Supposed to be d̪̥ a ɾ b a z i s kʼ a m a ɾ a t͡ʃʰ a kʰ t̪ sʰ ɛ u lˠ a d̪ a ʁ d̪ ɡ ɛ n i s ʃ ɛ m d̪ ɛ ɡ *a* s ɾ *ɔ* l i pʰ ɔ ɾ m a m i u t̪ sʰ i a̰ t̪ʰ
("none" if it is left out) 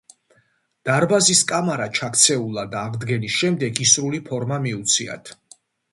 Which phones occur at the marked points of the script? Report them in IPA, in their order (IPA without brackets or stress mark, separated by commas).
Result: i, u